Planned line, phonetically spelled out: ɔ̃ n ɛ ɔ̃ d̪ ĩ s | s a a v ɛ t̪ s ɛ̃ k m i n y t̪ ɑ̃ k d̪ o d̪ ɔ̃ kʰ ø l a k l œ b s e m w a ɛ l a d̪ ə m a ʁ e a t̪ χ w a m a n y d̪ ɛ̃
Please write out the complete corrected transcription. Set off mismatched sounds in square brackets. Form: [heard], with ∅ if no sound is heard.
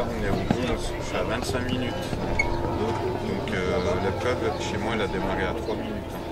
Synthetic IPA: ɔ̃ n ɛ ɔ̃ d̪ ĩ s | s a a v [ɛ̃] t̪ s ɛ̃ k m i n y t̪ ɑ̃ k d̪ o d̪ ɔ̃ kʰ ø l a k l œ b [ʃ] e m w a ɛ l a d̪ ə m a ʁ e a t̪ χ w a m [i] n y [t̪] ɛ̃